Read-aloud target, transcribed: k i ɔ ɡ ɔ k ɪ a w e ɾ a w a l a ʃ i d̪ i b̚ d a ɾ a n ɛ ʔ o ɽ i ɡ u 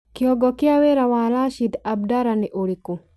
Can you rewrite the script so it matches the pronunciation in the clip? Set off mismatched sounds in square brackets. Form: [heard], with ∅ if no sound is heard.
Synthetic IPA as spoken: k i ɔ ɡ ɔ k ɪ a w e ɾ a w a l a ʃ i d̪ [a] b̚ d a ɾ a n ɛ ʔ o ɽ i [k] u